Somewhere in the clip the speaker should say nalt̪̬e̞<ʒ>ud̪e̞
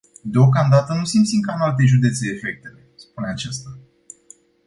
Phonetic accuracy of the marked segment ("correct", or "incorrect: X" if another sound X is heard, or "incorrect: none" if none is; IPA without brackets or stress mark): correct